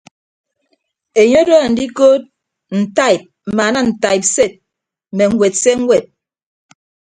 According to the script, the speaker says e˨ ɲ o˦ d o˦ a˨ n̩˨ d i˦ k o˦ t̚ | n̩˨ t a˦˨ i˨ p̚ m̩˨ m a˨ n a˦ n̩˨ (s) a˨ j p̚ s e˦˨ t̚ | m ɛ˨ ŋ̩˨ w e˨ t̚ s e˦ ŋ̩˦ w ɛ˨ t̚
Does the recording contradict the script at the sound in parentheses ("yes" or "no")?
yes